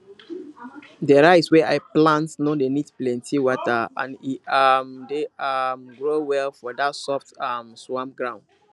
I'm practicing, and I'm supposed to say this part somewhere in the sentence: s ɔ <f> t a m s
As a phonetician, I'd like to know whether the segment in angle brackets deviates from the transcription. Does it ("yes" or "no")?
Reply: no